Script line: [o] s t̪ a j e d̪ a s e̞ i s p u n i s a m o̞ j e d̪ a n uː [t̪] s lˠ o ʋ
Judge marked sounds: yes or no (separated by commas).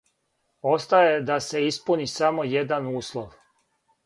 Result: yes, no